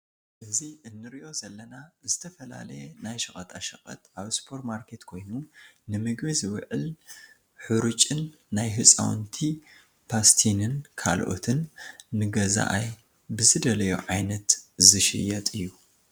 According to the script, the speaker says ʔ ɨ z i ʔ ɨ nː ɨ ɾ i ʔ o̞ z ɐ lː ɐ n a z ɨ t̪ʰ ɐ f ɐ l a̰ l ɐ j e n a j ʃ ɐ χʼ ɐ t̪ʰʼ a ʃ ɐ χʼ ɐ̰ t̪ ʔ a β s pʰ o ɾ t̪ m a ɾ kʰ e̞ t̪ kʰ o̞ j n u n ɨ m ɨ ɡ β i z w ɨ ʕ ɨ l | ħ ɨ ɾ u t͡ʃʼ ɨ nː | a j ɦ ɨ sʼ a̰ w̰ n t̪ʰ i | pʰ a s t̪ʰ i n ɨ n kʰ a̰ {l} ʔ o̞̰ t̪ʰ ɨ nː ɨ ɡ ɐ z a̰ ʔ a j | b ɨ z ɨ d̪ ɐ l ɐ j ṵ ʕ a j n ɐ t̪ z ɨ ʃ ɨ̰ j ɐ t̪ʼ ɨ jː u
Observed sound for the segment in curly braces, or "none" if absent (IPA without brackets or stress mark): l